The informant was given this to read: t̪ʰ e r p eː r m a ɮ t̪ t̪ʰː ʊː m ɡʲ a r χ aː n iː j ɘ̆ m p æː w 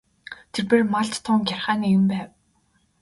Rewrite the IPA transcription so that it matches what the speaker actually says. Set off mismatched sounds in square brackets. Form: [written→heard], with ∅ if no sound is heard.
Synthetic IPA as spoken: t̪ʰ e r p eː r m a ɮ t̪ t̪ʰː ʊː [m→ŋ] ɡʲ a r χ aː n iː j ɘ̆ m p æː w